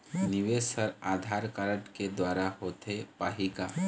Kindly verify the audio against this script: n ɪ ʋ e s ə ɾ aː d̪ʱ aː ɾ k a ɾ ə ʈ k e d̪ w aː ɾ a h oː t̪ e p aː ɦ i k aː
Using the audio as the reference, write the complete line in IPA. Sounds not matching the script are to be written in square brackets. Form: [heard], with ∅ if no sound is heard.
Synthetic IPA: n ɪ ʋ e s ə ɾ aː d̪ʱ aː ɾ k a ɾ ə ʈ k e d̪ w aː ɾ a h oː t̪ e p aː ɦ i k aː